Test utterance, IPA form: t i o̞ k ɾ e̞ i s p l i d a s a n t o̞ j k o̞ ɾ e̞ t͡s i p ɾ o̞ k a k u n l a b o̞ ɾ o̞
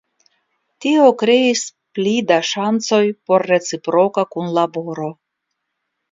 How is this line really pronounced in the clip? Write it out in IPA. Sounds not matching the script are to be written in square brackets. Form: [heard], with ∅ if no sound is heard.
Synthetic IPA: t i o̞ k ɾ e̞ i s p l i d a [ʃ] a n [t͡s] o̞ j [p] o̞ [ɾː] e̞ t͡s i p ɾ o̞ k a k u n l a b o̞ ɾ o̞